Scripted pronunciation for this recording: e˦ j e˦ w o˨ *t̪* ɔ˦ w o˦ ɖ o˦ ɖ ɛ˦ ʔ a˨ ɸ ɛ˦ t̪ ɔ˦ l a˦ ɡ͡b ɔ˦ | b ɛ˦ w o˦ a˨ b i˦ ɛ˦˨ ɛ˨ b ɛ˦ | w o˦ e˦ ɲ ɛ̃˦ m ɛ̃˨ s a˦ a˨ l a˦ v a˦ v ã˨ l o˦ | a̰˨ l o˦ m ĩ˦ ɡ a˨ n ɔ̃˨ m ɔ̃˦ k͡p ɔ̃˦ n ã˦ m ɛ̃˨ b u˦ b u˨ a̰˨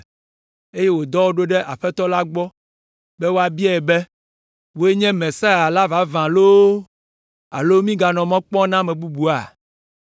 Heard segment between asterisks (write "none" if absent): d̪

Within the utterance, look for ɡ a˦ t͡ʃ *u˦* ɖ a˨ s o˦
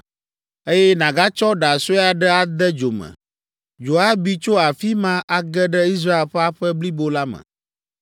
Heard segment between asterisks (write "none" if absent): ɔ˦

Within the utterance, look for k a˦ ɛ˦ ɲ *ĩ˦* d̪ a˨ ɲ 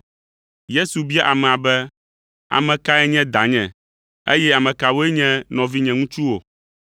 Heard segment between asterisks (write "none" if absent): ɛ̃˦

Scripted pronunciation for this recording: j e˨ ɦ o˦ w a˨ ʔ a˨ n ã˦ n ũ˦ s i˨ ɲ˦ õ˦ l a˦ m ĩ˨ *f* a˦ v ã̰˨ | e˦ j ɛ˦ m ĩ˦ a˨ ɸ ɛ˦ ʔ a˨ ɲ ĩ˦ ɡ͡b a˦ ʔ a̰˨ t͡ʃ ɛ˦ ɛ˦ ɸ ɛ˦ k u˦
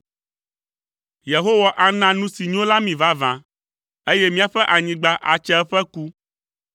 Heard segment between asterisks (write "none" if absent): v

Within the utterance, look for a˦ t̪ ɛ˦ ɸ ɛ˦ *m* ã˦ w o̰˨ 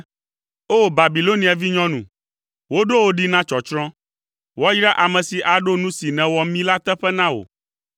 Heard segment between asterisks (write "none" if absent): n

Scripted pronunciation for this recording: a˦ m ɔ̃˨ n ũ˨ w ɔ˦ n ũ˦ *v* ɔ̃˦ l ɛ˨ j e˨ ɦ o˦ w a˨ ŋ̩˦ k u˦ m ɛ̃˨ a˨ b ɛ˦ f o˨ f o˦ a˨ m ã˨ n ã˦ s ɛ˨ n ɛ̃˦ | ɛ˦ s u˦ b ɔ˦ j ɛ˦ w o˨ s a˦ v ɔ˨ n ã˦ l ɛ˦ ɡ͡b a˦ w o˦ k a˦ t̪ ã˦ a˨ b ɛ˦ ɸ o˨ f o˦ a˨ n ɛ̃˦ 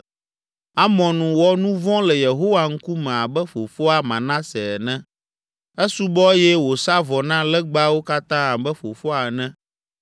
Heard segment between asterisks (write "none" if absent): v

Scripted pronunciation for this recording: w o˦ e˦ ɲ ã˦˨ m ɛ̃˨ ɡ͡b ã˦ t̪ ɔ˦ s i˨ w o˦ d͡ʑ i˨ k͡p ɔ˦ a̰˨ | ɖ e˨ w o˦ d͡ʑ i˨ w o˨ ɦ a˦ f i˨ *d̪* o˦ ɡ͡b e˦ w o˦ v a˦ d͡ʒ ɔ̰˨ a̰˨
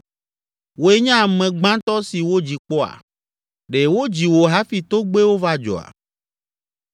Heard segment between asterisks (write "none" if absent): t̪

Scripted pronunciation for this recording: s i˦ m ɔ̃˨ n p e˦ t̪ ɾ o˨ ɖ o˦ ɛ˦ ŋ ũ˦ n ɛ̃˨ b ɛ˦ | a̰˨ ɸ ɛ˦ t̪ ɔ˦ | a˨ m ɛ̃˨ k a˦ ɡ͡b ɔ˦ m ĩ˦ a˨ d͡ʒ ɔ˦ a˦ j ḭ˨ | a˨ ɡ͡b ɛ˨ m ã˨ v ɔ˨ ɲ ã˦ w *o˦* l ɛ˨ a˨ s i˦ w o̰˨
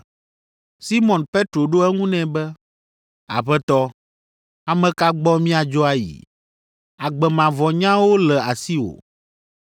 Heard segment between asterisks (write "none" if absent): o˦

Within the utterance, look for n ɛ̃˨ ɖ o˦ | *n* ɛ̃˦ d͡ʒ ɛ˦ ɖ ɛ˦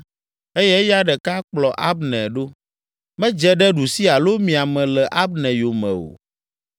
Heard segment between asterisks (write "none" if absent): m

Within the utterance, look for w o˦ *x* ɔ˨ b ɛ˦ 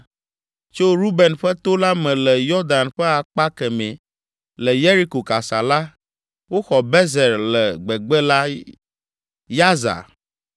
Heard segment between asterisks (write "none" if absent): x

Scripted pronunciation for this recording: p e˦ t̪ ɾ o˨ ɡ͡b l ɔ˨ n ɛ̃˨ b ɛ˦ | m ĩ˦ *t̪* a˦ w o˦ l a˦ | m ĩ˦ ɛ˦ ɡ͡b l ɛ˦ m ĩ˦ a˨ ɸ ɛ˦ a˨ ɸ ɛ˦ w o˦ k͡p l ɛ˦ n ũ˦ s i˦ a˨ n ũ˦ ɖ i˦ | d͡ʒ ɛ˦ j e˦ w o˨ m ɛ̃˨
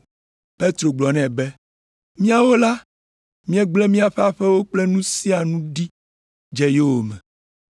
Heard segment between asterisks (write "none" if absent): none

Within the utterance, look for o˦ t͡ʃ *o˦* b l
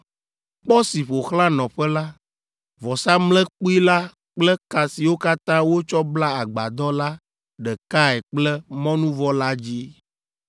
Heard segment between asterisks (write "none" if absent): ɔ˦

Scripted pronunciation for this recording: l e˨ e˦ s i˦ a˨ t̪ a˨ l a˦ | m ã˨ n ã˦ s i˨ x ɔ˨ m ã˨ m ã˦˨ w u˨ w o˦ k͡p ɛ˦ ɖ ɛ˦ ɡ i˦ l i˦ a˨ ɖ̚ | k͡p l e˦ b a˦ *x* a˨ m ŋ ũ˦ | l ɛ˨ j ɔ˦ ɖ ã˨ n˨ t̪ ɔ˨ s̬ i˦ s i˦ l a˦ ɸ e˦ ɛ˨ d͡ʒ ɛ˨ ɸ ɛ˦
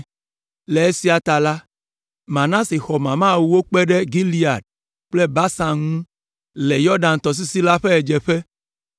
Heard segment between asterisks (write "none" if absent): s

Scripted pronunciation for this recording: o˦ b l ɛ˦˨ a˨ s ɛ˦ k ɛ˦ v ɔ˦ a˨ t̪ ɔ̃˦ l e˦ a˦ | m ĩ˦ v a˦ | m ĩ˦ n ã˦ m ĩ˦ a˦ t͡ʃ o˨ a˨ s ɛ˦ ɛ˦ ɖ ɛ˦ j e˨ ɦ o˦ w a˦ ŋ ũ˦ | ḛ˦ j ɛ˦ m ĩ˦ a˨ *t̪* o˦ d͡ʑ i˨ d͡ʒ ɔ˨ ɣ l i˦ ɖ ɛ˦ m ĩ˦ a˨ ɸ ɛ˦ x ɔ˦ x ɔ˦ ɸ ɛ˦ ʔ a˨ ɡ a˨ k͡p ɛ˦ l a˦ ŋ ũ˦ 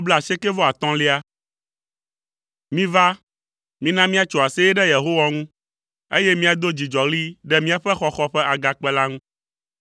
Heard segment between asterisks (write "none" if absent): d̪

